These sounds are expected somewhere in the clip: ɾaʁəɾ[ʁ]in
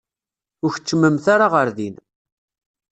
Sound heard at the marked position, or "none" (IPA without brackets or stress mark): ð